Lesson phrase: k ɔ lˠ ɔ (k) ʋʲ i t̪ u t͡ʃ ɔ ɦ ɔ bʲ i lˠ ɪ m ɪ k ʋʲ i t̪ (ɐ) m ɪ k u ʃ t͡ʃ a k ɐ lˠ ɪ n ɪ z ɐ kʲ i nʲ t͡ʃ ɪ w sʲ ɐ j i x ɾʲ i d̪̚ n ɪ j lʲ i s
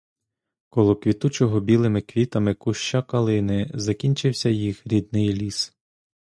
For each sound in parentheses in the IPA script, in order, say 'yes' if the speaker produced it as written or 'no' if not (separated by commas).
yes, yes